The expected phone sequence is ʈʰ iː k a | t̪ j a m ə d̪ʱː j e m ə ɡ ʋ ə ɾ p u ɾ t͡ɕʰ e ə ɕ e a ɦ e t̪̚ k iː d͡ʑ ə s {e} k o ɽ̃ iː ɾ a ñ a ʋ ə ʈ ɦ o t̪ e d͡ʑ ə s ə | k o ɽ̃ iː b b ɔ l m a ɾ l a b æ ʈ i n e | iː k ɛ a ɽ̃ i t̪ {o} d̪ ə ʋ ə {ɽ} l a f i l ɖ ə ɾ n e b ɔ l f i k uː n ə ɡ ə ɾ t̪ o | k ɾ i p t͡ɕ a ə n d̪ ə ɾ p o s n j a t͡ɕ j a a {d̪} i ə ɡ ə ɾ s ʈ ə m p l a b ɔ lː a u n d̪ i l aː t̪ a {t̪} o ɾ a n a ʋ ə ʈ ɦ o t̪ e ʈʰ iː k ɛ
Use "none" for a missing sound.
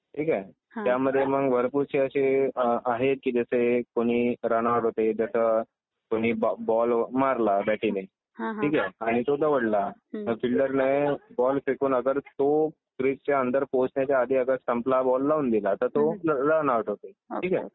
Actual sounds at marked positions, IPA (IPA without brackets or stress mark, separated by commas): e, o, ɽ, d̪, t̪